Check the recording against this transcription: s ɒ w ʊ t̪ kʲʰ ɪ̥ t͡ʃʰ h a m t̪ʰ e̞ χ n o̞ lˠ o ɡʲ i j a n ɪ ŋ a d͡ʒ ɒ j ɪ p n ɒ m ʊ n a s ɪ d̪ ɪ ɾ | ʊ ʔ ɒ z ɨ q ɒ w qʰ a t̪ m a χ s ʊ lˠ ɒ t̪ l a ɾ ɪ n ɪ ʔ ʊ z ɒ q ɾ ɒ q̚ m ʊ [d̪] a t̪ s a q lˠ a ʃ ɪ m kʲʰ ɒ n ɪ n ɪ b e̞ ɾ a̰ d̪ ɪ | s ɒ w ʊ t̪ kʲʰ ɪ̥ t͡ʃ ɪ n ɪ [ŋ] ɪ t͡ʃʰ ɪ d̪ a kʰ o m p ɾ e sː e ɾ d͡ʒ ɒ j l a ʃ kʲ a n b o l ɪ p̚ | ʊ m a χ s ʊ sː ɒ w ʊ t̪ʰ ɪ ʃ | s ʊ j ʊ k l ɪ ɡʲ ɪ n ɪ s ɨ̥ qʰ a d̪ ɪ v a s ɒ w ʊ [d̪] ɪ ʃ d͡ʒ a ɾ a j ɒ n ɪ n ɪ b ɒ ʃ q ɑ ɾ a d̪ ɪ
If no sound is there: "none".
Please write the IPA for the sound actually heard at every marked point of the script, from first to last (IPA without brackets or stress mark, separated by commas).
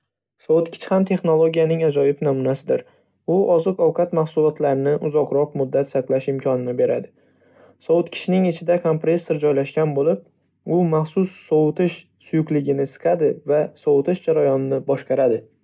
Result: d̪ː, ŋ, t̪